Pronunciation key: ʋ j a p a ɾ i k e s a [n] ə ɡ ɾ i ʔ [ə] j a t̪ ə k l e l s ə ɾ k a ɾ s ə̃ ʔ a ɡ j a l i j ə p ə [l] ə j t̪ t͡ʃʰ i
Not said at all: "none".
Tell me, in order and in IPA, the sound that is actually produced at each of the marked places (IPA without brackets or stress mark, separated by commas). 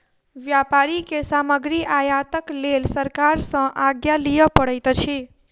m, a, ɽ